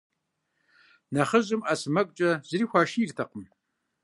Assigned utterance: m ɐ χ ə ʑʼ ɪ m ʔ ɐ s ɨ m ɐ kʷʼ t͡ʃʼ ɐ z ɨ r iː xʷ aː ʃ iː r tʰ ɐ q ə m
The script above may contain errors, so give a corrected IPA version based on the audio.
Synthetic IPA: n ɐ χ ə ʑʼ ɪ m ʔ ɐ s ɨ m ɐ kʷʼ t͡ʃʼ ɐ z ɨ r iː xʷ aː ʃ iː r tʰ ɐ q ə m

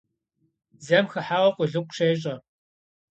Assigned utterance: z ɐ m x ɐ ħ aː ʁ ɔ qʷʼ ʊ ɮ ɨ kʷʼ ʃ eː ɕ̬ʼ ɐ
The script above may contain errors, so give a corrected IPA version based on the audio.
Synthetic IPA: z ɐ m x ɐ ħ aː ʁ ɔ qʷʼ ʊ ɮ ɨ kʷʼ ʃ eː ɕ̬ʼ ɐ

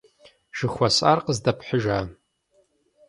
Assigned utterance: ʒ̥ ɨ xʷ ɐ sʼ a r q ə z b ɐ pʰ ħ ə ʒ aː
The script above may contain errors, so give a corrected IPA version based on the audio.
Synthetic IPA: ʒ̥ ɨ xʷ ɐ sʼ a r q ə z d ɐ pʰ ħ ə ʒ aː

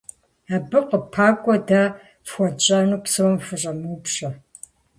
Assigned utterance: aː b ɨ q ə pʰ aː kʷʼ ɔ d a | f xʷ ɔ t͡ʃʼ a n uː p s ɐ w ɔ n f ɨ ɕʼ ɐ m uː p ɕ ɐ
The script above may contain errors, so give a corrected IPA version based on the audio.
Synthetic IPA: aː b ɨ q ə pʰ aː kʷʼ ɔ d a | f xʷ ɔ t͡ʃʼ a n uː p s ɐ w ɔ m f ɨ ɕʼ ɐ m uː p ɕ ɐ

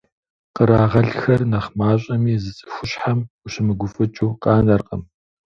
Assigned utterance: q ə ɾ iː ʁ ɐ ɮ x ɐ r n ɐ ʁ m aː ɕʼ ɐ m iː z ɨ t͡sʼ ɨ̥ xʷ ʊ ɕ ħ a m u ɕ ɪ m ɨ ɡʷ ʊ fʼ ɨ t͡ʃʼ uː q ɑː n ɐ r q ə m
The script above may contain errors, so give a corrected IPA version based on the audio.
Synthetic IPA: q ə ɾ aː ʁ ɐ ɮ x ɐ r n ɐ χ m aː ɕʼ ɐ m iː z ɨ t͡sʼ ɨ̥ xʷ ʊ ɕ ħ a m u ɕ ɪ m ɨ ɡʷ ʊ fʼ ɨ t͡ʃʼ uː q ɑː n ɐ r q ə m

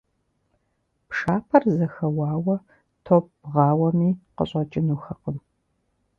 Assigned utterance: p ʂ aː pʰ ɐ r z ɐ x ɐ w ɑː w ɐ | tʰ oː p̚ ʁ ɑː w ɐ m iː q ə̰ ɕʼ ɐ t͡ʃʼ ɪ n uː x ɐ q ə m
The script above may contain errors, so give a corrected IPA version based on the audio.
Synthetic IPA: p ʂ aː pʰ ɐ r z ɐ x ɐ w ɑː w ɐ | tʰ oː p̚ ʁ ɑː w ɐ m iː q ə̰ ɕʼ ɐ t͡ʃʼ ɪ n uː x ɐ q ə m

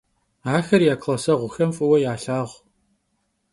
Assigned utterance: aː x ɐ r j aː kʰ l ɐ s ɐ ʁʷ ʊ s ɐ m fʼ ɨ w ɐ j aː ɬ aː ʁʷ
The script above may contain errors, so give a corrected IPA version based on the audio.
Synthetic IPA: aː x ɐ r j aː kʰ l ɐ s ɐ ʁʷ ʊ x ɐ m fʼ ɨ w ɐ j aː ɬ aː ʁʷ

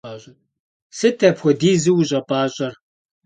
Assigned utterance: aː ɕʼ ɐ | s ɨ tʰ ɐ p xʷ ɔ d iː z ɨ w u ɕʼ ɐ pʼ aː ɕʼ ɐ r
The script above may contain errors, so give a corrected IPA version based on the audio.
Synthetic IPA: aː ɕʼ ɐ | s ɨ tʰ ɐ p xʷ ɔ d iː z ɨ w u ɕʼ ɐ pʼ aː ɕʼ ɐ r

